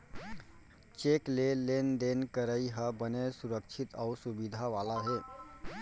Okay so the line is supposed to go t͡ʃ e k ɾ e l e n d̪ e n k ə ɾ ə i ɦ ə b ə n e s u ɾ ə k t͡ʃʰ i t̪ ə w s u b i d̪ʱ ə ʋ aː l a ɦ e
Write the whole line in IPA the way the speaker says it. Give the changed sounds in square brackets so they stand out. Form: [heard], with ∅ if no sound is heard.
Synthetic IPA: t͡ʃ e k [l] e l e n d̪ e n k ə ɾ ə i ɦ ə b ə n e s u ɾ ə k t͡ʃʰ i t̪ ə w s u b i d̪ʱ [a] ʋ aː l a ɦ e